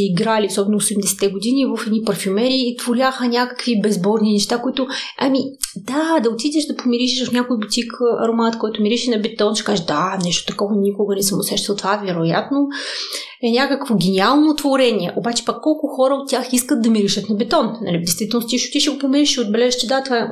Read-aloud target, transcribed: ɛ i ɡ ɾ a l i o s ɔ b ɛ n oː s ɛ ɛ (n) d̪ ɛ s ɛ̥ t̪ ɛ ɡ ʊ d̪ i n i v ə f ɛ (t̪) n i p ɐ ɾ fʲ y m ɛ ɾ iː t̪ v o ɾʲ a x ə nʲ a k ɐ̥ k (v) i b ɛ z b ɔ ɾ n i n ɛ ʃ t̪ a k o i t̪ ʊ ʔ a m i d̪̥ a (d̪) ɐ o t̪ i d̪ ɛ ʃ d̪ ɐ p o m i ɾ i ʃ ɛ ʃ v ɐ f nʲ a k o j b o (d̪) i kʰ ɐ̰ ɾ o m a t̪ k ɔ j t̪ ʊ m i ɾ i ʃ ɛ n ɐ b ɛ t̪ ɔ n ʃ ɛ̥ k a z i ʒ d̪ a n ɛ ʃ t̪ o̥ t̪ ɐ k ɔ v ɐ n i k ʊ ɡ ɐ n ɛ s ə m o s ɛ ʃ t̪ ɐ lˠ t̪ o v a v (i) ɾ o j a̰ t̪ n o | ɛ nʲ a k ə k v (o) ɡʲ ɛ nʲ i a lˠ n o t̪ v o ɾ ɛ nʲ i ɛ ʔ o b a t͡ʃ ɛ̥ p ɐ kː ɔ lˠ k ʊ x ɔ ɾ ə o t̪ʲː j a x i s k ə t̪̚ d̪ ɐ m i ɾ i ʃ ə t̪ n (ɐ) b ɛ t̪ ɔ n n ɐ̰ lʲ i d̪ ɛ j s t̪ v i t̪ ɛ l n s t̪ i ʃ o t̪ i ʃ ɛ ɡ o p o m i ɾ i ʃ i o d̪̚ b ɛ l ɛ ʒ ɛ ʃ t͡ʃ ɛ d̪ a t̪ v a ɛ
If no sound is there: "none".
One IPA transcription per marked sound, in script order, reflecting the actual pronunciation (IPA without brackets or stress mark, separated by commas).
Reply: m, d̪, v, d̪, t̪, ɛ, o, ɐ